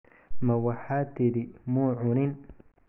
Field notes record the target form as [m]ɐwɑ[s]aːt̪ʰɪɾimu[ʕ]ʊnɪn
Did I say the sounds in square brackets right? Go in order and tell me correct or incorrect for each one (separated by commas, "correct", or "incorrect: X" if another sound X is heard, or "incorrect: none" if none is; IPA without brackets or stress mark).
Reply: correct, incorrect: ħ, correct